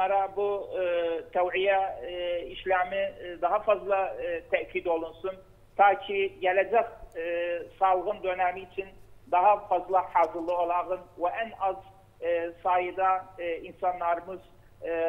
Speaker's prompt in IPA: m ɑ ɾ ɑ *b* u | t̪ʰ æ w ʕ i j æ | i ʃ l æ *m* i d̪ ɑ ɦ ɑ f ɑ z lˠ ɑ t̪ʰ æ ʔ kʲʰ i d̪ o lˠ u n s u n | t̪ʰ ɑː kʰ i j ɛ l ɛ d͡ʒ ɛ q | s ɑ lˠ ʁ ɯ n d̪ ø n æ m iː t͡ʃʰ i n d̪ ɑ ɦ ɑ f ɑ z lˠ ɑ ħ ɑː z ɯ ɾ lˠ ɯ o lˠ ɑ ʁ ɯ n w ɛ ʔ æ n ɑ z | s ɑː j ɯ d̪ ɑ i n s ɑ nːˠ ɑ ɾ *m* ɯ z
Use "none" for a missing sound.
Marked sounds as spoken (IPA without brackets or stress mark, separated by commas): b, m, m